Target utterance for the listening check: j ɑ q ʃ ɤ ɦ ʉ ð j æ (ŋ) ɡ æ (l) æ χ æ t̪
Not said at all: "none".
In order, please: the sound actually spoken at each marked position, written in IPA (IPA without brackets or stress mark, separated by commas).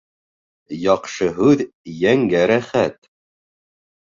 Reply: ŋ, ɾ